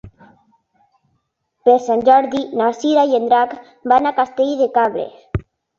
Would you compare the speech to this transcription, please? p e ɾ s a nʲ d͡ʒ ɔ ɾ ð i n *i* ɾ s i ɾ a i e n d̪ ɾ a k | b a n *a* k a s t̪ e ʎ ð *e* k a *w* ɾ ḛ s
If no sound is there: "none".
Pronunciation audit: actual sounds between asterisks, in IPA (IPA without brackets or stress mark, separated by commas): a, a, e, β